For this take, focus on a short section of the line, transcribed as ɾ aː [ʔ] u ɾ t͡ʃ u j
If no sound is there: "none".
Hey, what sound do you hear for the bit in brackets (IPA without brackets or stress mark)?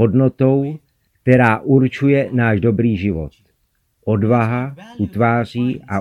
ʔ